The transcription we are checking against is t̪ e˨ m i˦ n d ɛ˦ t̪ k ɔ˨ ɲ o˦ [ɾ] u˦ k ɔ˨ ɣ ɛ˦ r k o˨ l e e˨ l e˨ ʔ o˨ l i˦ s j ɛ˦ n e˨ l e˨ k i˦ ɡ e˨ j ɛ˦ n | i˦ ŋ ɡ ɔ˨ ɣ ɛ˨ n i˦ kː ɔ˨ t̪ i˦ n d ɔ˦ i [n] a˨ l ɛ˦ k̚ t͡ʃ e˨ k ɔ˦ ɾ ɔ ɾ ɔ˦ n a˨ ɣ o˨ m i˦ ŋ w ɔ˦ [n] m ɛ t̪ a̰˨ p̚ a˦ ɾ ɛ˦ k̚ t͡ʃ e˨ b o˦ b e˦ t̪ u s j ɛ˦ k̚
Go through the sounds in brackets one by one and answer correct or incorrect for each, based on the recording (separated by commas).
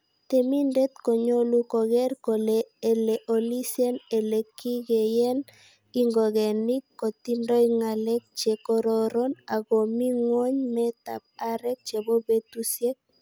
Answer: incorrect, incorrect, incorrect